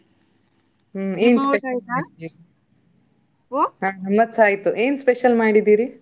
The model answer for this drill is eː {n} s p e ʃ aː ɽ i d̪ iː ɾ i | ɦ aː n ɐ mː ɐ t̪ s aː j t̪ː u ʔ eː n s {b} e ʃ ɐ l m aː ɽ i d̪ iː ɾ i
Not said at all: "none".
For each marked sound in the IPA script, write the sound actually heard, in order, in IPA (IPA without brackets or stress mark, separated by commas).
n, p